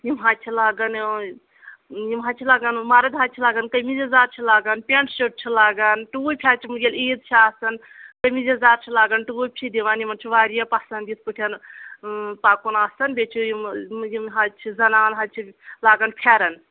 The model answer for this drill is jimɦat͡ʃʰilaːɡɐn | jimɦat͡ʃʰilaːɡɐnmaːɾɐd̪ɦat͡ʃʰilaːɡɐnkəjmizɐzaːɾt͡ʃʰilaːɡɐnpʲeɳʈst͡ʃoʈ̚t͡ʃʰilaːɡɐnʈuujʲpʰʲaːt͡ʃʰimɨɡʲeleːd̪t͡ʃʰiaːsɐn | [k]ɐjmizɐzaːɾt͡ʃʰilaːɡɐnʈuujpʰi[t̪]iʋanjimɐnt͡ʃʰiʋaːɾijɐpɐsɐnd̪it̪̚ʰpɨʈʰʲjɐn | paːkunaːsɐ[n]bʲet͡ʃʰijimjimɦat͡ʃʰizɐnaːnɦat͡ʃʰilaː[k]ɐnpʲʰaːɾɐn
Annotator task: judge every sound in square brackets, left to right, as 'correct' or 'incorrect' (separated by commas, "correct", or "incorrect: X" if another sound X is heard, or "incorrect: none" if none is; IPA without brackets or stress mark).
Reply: correct, incorrect: d̪, correct, incorrect: ɡ